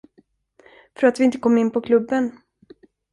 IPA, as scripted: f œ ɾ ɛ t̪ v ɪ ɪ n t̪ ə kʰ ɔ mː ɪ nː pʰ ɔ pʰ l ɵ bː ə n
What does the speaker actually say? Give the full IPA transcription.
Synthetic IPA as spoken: f œ ɾ a t̪ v ɪ ɪ n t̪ ə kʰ ɔ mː ɪ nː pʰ ɔ kʰ l ɵ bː ə n